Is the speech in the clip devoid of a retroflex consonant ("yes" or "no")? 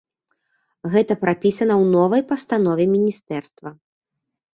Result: yes